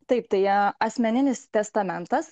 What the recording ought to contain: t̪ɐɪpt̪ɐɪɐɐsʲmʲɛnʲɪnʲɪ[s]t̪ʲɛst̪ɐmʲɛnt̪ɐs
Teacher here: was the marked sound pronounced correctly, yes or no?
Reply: yes